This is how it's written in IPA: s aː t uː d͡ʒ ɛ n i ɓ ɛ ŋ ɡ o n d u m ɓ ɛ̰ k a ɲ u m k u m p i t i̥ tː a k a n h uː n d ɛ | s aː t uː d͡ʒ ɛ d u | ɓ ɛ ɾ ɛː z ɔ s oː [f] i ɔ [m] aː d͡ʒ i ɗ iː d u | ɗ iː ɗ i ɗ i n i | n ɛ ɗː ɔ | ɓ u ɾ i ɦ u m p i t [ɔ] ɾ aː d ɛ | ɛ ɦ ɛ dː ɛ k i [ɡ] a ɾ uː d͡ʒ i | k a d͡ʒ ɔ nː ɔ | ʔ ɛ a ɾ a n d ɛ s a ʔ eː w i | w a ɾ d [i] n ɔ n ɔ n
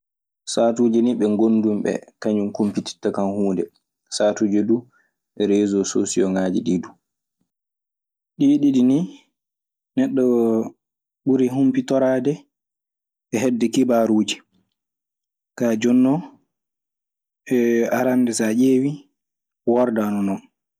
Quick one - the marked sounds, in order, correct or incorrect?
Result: incorrect, incorrect, correct, incorrect, incorrect

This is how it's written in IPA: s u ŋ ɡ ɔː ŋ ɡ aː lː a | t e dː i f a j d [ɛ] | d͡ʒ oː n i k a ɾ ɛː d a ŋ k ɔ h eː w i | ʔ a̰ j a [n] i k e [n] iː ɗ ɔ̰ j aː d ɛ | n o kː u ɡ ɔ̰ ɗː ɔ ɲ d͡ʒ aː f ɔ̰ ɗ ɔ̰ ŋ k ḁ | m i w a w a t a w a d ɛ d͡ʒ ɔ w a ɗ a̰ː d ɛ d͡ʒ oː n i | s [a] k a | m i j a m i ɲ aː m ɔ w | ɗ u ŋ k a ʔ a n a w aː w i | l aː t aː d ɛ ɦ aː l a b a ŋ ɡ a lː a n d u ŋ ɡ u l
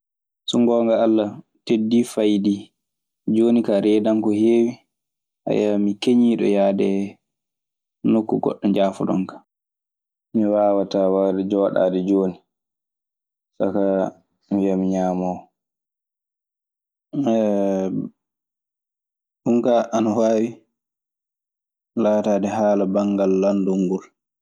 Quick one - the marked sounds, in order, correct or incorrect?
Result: incorrect, incorrect, incorrect, correct

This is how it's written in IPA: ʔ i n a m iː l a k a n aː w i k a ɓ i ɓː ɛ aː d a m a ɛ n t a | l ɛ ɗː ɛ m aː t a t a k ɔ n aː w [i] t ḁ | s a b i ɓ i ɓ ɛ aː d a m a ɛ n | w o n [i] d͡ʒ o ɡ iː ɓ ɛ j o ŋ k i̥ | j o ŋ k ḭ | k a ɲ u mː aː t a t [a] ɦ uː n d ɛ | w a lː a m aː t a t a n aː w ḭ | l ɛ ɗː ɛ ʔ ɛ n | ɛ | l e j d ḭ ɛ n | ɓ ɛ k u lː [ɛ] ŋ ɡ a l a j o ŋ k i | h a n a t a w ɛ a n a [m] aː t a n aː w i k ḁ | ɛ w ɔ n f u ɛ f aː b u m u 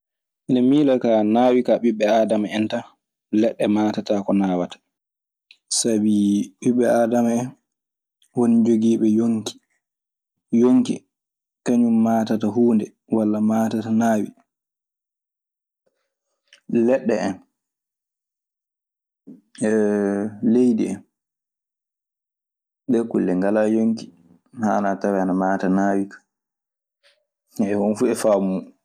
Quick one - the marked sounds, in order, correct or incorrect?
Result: incorrect, correct, correct, correct, correct

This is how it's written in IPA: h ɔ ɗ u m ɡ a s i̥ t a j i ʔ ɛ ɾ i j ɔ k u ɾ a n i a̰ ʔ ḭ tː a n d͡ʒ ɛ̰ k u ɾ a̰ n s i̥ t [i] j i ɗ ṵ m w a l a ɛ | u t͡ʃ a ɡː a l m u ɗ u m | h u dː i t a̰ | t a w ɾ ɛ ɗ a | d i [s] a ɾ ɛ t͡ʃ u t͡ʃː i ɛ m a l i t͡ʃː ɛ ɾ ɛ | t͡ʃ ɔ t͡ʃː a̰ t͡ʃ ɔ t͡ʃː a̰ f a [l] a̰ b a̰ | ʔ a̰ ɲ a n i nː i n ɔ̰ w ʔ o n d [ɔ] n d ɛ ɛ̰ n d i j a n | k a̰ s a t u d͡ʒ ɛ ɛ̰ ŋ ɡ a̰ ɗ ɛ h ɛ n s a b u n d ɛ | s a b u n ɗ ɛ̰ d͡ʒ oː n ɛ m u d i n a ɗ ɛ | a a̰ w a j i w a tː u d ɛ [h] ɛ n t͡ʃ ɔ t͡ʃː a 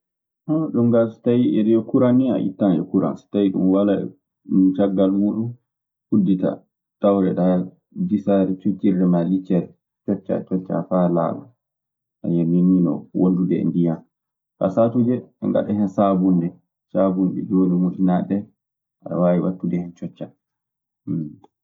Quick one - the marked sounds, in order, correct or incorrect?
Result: incorrect, correct, correct, incorrect, correct

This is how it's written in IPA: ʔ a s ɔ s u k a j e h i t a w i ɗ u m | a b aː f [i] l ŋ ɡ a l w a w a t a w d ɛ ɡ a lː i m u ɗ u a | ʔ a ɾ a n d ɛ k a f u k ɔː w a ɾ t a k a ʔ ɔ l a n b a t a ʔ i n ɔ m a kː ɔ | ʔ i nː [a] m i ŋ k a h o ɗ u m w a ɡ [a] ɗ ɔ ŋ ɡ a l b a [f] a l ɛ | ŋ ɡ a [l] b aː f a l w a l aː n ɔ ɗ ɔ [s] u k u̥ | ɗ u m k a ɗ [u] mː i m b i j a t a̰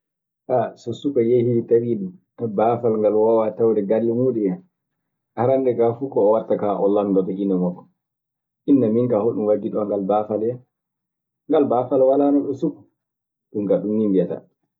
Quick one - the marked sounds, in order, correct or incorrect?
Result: incorrect, correct, incorrect, correct, correct, correct, correct

